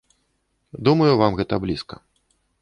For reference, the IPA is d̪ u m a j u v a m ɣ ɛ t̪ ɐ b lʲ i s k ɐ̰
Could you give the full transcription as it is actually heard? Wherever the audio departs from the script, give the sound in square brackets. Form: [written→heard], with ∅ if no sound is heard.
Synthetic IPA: d̪ u m [a→ɐ] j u v a m ɣ ɛ t̪ ɐ b lʲ i s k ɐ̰